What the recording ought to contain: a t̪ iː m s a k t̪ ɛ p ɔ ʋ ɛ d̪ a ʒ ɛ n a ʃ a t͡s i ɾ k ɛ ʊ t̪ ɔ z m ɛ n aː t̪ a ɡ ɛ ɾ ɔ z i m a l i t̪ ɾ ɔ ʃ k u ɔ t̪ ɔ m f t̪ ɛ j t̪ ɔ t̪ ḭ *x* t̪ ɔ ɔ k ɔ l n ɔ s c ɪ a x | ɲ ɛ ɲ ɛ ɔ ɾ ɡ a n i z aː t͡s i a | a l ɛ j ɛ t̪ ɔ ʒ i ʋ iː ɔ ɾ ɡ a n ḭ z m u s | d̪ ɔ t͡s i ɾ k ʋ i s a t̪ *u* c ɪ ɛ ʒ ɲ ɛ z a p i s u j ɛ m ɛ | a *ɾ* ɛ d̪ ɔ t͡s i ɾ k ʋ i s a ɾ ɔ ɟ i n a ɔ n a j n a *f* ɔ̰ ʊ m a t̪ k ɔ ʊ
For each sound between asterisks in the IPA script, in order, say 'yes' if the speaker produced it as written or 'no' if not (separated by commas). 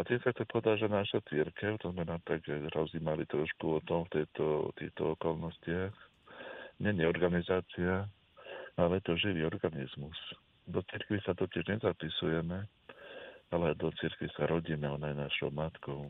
yes, no, no, no